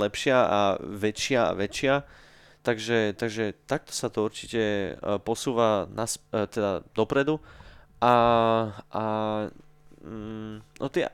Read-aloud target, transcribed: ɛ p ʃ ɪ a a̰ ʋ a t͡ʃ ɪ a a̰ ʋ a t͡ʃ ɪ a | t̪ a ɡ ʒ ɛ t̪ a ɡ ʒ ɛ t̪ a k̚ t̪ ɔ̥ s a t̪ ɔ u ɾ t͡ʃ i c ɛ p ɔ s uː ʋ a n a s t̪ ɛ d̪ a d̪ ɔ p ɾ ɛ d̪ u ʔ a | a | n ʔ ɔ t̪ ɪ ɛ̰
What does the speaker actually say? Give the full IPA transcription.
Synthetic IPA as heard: ɛ p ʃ ɪ a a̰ ʋ ɛ t͡ʃ ɪ a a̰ ʋ ɛ t͡ʃ ɪ a | t̪ a ɡ ʒ ɛ t̪ a ɡ ʒ ɛ t̪ a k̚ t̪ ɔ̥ s a t̪ ɔ u ɾ t͡ʃ i c ɛ p ɔ s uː ʋ a n a s t̪ ɛ d̪ a d̪ ɔ p ɾ ɛ d̪ u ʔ a | a | n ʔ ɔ t̪ ɪ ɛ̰